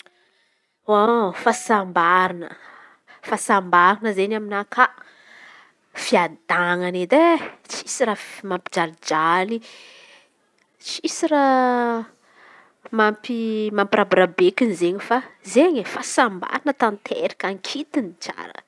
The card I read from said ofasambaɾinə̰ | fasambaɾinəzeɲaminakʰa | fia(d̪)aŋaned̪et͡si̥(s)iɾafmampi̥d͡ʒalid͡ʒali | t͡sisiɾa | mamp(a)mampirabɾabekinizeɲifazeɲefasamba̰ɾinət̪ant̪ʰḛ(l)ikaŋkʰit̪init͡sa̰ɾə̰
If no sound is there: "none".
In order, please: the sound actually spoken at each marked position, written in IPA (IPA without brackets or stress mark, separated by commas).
d̪, s, i, ɾ